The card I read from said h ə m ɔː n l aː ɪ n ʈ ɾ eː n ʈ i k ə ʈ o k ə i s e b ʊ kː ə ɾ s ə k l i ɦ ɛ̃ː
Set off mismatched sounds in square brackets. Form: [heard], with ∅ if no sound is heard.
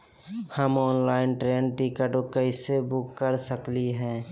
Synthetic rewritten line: h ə m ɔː n l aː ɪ n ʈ ɾ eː n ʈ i k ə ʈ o k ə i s e b ʊ kː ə ɾ s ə k l i ɦ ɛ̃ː